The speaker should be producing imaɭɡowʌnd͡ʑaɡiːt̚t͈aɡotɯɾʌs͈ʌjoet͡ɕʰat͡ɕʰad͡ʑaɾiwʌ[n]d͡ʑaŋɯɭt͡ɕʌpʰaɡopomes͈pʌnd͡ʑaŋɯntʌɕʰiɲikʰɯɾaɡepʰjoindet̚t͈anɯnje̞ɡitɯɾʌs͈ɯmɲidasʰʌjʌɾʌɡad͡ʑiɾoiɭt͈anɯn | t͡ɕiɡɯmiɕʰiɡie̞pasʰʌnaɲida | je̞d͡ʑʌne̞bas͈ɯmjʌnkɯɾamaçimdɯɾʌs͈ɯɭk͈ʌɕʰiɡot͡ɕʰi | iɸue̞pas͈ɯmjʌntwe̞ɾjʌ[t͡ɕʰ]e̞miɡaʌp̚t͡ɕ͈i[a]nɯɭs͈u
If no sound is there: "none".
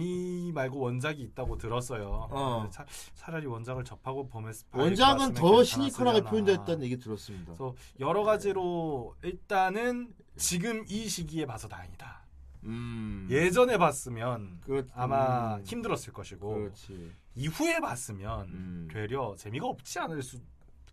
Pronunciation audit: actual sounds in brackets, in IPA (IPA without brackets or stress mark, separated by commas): n, t͡ɕ, a